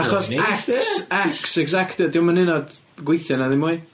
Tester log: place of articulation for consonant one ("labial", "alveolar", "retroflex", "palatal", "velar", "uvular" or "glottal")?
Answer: uvular